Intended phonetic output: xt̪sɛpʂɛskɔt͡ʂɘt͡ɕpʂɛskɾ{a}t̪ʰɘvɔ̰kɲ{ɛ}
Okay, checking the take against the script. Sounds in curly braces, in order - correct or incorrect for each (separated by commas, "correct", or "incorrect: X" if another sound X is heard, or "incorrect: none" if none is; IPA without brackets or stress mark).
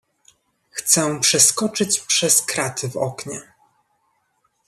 correct, correct